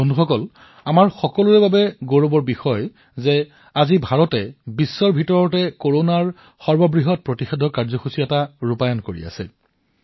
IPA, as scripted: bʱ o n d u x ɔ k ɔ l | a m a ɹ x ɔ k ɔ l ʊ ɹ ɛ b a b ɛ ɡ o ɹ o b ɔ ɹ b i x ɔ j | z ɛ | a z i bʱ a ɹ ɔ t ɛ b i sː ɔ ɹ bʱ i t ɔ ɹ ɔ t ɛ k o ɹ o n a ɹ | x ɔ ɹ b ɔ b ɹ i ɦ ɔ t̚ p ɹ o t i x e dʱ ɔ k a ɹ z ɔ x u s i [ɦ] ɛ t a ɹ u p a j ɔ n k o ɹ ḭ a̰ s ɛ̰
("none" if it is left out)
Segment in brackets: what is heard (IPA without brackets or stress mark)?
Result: none